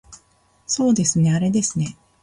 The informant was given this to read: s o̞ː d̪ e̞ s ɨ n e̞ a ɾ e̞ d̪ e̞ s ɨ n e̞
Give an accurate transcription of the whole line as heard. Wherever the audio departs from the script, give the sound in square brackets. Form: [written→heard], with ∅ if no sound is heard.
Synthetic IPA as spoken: s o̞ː d̪ e̞ s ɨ n e̞ a ɾ e̞ d̪ e̞ s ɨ n e̞